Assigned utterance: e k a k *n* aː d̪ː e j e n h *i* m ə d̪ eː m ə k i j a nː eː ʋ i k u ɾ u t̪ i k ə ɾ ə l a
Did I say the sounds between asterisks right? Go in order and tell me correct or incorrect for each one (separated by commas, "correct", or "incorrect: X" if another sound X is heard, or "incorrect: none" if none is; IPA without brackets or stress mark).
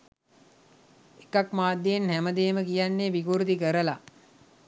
incorrect: m, incorrect: æ